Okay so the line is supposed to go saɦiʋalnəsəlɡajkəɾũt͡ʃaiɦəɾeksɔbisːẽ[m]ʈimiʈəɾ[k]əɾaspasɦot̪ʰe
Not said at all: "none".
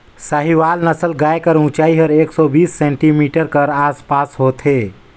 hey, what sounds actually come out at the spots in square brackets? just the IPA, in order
ɳ, k

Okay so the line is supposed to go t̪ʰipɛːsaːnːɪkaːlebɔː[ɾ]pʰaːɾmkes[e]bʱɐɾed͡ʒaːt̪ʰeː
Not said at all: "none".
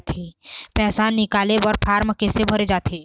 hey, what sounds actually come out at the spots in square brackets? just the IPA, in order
ɾ, e

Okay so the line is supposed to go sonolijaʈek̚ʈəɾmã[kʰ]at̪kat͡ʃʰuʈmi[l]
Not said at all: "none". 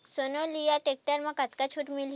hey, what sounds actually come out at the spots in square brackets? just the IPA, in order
k, l

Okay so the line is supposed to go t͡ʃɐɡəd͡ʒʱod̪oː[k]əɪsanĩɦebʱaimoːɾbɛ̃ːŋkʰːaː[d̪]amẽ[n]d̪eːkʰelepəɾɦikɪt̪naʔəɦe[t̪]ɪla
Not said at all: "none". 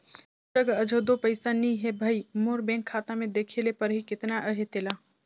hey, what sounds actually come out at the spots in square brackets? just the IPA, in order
p, t̪, none, t̪

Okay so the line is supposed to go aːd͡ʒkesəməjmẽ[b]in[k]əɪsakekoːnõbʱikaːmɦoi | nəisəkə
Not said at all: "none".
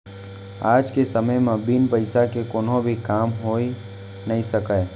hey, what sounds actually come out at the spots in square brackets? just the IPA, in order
b, p

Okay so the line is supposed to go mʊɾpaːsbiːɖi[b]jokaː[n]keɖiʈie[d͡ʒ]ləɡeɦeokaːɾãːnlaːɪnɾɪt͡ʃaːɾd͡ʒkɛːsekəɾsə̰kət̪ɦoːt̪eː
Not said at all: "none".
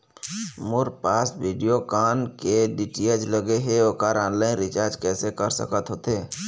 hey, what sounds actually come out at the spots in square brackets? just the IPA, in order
none, n, d͡ʒ

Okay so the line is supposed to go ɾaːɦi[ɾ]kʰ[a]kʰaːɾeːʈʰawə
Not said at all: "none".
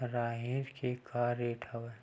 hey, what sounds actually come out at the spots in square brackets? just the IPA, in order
ɾ, e

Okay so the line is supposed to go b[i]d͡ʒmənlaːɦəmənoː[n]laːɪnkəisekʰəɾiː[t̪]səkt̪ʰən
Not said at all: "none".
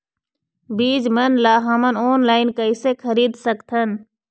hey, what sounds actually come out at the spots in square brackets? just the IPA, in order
iː, n, d̪

